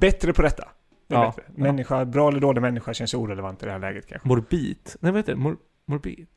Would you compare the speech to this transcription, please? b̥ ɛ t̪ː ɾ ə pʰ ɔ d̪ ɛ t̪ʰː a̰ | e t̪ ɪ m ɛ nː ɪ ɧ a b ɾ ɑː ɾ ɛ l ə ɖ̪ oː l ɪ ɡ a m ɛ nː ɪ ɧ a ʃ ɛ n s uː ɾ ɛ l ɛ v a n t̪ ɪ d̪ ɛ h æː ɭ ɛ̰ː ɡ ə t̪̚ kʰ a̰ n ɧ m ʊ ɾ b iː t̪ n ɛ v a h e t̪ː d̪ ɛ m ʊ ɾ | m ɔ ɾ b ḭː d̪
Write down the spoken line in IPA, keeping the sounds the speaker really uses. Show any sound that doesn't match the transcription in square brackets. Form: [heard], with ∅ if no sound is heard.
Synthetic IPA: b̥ ɛ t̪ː ɾ ə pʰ ɔ d̪ ɛ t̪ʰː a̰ | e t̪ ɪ m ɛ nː ɪ ɧ a b ɾ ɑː [∅] ɛ l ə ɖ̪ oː l ɪ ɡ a m ɛ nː ɪ ɧ a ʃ ɛ n s uː ɾ ɛ l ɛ v a n t̪ ɪ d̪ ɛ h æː [l] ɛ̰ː ɡ ə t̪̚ kʰ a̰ n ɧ m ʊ ɾ b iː t̪ n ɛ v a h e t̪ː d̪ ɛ m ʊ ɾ | m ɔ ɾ b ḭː [t̪]